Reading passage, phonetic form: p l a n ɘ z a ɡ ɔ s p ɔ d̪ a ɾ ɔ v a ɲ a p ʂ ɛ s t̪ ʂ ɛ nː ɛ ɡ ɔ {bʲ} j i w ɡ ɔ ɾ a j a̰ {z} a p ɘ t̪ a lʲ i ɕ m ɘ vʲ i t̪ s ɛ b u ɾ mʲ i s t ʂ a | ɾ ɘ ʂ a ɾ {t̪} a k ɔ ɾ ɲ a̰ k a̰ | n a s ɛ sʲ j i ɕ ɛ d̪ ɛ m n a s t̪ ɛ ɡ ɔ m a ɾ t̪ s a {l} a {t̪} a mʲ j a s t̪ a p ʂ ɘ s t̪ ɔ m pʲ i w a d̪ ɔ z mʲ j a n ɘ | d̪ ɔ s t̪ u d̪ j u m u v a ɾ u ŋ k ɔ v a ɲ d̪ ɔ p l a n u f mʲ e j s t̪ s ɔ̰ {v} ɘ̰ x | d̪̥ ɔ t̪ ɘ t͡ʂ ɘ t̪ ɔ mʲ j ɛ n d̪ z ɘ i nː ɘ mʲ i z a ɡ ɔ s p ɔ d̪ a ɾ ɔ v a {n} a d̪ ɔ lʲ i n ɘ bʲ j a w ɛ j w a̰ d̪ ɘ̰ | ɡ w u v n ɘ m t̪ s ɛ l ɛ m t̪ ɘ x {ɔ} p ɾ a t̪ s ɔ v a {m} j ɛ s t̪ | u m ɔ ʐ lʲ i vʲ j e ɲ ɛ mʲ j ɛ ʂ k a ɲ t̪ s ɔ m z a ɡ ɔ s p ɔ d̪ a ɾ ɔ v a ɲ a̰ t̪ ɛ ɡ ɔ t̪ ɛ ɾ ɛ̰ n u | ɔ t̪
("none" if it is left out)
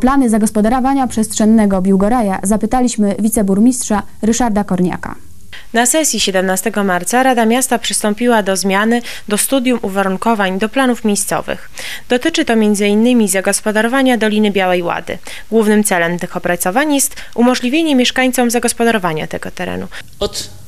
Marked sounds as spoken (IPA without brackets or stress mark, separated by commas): bʲ, z, d̪, ɾ, d̪, v, ɲ, ɔ, ɲ